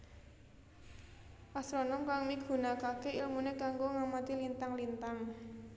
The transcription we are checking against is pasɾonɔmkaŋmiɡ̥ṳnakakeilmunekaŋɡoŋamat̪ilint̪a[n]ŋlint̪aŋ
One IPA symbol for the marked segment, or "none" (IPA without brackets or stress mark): none